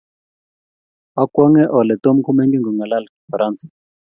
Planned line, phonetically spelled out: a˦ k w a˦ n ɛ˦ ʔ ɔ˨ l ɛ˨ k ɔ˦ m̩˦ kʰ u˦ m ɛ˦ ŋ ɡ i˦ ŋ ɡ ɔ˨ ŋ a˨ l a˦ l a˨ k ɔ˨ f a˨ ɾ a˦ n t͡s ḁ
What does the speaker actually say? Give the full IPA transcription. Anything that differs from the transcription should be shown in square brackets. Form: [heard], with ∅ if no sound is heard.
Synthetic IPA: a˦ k w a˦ [ŋ] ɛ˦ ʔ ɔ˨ l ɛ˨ [t] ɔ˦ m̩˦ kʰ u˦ m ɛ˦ ŋ ɡ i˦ ŋ ɡ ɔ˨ ŋ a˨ l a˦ l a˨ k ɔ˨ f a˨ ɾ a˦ n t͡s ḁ